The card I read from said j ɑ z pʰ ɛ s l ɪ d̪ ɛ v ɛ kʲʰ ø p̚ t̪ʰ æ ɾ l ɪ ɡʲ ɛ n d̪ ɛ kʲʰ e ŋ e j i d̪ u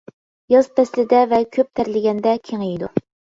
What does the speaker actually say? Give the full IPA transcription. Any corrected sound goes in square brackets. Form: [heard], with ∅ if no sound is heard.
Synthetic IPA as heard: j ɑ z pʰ ɛ s l ɪ d̪ ɛ v ɛ kʲʰ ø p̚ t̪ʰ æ ɾ l ɪ ɡʲ ɛ n d̪ ɛ kʲʰ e ŋ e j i d̪ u